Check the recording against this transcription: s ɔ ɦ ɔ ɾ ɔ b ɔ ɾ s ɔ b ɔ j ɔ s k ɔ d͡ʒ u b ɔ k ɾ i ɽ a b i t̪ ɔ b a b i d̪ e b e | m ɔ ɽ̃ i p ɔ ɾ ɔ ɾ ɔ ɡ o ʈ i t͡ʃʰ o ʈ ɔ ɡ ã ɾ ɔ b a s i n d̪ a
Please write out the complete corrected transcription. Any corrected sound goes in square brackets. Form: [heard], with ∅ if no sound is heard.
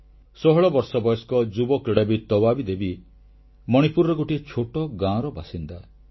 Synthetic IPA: s ɔ ɦ ɔ [ɭ] ɔ b ɔ ɾ s ɔ b ɔ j ɔ s k ɔ d͡ʒ u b ɔ k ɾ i ɽ a b i t̪ ɔ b a b i d̪ e b [i] | m ɔ ɽ̃ i p [u] ɾ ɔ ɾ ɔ ɡ o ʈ i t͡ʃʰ o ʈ ɔ ɡ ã ɾ ɔ b a s i n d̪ a